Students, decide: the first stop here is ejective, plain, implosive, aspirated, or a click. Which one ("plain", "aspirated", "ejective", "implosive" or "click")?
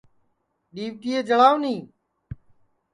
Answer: implosive